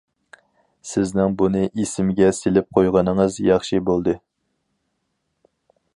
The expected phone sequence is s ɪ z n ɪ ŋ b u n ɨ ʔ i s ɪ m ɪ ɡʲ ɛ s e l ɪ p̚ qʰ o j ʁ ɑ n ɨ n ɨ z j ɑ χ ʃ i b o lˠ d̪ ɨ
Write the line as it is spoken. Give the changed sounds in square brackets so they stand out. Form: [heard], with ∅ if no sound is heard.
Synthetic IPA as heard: s ɪ z n ɪ ŋ b u n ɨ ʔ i s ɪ m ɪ ɡʲ ɛ s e l ɪ p̚ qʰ o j ʁ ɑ n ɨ [ŋ] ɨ z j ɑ χ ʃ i b o lˠ d̪ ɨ